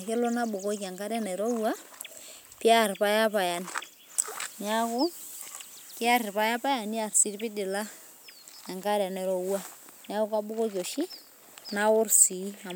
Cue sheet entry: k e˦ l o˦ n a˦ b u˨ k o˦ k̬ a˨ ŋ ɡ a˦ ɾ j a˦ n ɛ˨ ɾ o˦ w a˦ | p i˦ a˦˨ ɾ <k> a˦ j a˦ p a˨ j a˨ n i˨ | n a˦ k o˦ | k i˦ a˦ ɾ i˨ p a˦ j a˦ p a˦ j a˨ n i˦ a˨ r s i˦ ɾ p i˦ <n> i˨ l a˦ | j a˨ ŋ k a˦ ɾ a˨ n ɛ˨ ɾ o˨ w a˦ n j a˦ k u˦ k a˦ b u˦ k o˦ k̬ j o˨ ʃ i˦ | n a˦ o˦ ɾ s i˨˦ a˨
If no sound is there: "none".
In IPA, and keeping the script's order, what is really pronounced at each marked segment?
p, d

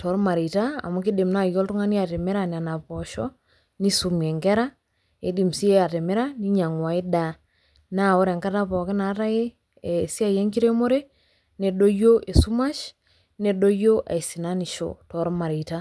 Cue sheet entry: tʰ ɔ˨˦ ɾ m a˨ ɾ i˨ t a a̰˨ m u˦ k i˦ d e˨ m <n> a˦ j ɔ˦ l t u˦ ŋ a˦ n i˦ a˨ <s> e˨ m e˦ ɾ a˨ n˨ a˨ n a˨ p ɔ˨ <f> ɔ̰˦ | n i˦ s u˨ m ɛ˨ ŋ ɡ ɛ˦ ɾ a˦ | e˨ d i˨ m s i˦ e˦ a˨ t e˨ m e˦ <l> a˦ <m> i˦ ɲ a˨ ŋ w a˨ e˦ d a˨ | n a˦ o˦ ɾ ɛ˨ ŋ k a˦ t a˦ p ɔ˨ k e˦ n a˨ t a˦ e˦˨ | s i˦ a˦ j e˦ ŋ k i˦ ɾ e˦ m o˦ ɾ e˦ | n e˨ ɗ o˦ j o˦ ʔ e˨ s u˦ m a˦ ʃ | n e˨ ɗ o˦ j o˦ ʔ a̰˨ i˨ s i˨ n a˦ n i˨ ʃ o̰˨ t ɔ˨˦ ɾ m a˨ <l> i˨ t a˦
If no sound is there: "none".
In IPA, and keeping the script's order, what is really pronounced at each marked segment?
n, t, ʃ, ɾ, n, ɾ

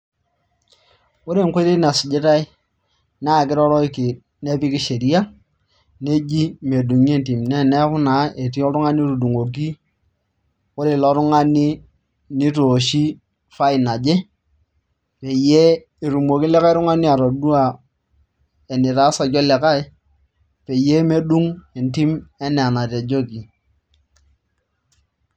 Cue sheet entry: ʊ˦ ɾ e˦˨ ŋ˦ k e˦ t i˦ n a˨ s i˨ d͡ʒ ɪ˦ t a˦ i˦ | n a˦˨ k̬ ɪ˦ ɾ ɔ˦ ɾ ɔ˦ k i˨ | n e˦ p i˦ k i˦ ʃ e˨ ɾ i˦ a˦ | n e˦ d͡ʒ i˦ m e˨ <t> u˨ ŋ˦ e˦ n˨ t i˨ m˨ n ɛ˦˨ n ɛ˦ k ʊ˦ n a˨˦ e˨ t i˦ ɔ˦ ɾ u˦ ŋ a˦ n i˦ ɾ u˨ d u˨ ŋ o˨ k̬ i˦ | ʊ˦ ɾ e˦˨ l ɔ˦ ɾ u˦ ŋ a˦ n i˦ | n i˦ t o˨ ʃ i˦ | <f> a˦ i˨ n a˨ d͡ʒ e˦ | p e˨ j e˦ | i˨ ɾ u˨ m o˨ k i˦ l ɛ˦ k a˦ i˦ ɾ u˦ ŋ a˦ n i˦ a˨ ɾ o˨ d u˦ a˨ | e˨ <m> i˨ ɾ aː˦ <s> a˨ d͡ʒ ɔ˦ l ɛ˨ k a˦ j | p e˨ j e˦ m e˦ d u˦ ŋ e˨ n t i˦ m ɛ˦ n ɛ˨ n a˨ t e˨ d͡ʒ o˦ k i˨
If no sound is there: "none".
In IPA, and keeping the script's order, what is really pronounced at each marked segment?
d, f, n, s

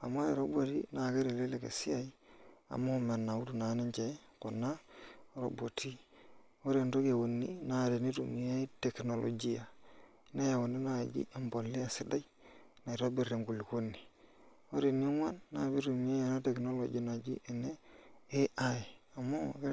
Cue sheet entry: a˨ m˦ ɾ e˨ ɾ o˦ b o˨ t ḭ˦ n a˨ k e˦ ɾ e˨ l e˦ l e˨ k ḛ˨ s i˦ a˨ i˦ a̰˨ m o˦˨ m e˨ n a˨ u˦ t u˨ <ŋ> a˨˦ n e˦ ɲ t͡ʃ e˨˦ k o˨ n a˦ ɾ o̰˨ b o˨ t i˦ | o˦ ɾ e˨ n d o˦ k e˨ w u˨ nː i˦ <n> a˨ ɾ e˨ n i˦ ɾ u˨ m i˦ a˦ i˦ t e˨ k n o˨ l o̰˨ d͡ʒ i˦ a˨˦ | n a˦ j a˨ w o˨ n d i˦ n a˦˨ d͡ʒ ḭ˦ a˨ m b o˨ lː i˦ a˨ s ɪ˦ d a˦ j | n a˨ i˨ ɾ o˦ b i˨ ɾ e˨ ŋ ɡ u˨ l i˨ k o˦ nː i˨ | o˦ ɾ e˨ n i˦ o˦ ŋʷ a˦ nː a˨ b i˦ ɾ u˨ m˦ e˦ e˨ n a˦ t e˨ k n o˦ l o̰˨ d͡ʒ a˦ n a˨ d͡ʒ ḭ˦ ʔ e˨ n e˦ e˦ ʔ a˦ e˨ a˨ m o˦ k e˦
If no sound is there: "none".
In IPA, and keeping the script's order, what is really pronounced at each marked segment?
n, n

